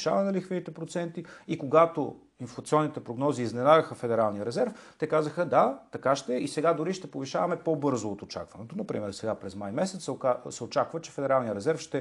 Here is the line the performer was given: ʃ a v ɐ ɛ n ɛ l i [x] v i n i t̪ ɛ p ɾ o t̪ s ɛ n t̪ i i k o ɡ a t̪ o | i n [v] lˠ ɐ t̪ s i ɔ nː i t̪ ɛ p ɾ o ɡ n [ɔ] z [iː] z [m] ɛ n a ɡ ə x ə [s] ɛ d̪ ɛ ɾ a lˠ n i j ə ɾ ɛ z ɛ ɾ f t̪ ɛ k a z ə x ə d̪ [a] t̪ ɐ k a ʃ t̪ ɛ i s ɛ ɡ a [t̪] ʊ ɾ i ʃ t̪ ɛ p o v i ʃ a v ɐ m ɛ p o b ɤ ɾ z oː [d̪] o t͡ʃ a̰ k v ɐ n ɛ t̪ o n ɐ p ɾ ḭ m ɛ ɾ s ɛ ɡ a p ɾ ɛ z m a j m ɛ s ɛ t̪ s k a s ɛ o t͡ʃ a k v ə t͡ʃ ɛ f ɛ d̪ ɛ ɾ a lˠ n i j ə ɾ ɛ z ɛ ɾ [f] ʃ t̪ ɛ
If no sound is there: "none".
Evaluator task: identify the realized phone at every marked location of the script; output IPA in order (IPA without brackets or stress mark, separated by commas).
x, f, ɔ, iː, n, f, a, d̪, t̪, f